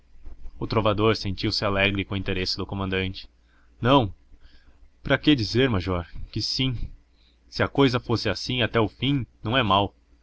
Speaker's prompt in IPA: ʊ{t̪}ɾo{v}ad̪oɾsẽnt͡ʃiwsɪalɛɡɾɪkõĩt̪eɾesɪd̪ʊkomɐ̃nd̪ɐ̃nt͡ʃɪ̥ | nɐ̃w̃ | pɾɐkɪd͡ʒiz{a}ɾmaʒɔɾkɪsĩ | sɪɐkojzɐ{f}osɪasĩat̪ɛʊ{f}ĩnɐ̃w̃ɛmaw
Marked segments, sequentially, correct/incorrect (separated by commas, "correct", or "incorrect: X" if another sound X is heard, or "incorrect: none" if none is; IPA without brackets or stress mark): correct, correct, incorrect: e, correct, correct